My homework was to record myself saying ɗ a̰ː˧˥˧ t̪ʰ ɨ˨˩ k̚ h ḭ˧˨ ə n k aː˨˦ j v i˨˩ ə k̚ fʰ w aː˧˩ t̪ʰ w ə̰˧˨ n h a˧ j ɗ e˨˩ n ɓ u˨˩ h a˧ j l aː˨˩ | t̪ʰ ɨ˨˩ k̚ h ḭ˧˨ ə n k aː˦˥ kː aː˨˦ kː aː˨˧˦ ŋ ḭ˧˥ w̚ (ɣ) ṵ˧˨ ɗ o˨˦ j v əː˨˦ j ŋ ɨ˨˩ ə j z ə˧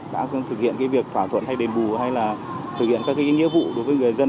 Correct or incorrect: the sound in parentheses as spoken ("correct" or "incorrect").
incorrect